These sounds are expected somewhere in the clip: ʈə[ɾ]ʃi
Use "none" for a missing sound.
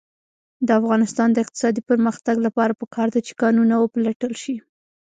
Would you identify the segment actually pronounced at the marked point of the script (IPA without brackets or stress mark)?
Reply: l